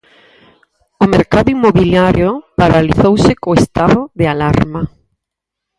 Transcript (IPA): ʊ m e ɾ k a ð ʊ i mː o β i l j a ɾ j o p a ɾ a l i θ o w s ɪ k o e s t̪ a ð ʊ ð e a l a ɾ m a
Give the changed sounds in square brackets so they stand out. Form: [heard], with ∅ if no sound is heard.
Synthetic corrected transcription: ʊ m e ɾ k a ð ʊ i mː o β i l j a ɾ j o p a ɾ a l i θ o w s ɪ k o e s t̪ a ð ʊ ð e a l a ɾ m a